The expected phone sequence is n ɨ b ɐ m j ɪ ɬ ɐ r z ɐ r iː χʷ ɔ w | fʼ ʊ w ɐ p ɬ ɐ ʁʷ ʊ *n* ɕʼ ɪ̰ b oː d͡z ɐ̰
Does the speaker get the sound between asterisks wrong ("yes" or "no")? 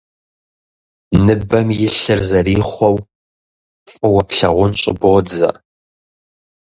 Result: no